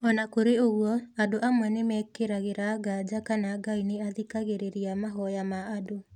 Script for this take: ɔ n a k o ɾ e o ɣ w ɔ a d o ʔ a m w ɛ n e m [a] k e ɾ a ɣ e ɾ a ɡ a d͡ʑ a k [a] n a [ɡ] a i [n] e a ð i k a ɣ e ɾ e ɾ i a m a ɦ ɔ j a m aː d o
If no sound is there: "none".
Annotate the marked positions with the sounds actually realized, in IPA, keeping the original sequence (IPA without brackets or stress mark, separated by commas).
ɛ, a, ɡ, n